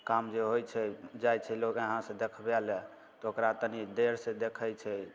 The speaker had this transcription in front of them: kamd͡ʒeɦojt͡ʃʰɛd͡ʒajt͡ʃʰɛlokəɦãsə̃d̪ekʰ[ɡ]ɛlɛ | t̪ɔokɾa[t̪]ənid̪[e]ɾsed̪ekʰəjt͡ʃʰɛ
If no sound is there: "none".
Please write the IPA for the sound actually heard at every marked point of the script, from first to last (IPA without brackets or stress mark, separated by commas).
b, t̪, e